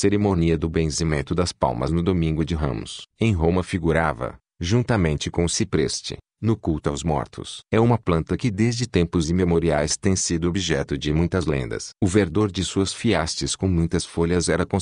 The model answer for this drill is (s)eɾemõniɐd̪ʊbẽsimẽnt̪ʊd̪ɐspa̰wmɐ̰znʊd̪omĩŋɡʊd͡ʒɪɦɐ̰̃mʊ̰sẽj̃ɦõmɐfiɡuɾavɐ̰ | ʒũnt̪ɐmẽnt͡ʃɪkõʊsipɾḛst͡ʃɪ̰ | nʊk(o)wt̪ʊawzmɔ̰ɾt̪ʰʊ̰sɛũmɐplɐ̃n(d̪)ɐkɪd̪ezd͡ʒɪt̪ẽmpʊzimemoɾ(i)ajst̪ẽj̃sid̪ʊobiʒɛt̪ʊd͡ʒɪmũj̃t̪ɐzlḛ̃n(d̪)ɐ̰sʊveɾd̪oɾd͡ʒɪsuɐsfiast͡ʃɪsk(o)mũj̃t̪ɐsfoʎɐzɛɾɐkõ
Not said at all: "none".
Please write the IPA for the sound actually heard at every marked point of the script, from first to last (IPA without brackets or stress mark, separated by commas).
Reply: s, u, t̪, i, d̪, õ